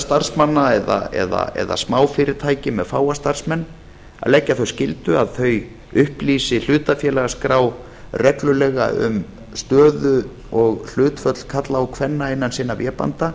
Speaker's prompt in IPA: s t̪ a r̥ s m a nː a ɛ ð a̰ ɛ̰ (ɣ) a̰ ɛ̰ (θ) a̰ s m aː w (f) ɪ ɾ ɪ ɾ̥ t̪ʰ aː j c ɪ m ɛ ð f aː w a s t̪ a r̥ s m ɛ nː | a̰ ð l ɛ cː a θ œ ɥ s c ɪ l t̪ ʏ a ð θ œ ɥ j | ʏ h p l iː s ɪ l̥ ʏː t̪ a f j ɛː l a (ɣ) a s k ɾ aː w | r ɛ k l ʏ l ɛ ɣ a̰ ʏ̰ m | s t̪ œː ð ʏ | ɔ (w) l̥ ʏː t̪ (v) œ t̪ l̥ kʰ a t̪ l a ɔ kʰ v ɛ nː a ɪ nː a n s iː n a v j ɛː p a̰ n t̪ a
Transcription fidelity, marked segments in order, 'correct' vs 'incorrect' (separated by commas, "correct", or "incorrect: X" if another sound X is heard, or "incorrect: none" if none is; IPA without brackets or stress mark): incorrect: ð, incorrect: ð, correct, correct, incorrect: ɣ, incorrect: f